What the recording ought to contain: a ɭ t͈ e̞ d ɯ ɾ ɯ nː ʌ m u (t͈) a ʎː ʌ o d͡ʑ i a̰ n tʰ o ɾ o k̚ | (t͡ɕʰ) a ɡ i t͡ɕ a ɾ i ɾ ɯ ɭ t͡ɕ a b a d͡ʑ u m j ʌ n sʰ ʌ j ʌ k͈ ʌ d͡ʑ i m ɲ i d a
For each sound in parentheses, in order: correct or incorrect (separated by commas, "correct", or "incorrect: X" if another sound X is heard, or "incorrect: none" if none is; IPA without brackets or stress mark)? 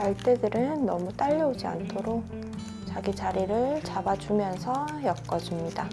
correct, incorrect: t͡ɕ